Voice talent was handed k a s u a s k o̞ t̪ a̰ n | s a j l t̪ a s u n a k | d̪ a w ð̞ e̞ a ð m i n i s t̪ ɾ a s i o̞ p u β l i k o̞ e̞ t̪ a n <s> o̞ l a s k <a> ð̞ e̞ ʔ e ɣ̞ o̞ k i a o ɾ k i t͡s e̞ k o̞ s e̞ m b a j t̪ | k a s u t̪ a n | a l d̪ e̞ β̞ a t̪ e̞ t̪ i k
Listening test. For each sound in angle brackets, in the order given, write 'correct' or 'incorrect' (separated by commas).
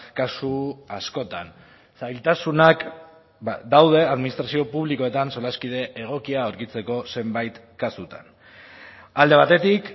correct, incorrect